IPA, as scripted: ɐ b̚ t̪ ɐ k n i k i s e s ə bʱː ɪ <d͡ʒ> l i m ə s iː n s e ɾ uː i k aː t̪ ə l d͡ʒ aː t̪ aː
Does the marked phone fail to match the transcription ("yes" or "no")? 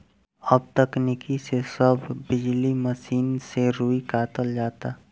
no